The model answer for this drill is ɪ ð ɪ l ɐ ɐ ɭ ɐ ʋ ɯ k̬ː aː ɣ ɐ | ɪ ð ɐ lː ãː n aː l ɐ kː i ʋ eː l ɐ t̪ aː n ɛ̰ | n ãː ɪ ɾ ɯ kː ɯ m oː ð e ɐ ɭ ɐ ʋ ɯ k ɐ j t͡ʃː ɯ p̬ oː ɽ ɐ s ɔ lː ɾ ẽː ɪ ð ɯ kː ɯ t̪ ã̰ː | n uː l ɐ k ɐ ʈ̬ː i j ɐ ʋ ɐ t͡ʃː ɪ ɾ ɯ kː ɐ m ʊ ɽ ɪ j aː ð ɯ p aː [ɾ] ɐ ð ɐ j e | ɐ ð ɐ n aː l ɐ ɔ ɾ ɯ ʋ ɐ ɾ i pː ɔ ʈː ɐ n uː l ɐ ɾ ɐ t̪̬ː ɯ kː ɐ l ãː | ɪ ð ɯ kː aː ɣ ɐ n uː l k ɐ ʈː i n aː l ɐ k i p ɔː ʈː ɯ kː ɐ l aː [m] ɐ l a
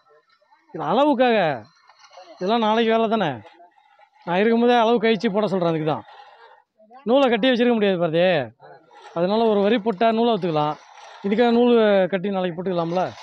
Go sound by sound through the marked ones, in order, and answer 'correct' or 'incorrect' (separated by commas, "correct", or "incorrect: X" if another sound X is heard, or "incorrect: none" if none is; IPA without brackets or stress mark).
correct, correct